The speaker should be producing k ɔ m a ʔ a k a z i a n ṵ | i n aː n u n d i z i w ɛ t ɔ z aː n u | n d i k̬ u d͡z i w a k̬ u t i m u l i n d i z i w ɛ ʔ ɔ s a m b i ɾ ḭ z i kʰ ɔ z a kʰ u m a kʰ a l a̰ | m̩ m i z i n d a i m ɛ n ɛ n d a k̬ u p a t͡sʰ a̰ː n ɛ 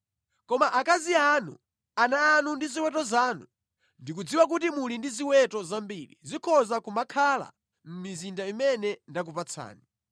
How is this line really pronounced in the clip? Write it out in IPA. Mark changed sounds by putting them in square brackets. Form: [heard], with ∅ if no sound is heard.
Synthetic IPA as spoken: k ɔ m a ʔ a k a z i a n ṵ | [a] n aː n u n d i z i w ɛ t ɔ z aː n u | n d i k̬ u d͡z i w a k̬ u t i m u l i n d i z i w ɛ [t] ɔ [z] a m b i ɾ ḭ z i kʰ ɔ z a [k] u m a kʰ a l a̰ | m̩ m i z i n d a i m ɛ n ɛ n d a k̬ u p a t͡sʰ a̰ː n [i]